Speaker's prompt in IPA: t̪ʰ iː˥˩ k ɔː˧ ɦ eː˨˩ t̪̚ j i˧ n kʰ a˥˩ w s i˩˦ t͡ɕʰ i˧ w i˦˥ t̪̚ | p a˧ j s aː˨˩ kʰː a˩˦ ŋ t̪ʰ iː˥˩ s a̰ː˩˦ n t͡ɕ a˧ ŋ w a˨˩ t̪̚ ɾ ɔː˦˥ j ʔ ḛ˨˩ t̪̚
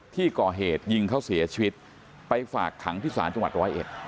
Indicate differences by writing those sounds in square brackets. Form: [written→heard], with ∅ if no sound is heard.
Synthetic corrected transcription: t̪ʰ iː˥˩ k [ɔː˧→ɔː˨˩] ɦ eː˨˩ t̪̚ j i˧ [n→ŋ] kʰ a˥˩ w s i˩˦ t͡ɕʰ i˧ w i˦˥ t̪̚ | p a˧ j [s→f] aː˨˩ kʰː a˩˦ ŋ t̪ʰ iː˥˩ s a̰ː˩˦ n t͡ɕ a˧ ŋ w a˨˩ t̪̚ ɾ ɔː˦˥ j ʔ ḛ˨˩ t̪̚